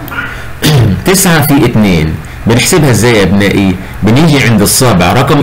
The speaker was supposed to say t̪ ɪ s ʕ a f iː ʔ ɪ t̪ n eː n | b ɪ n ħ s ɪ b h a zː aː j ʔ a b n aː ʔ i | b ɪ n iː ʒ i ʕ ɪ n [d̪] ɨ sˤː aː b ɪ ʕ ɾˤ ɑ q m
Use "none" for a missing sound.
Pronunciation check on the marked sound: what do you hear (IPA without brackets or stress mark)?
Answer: d̪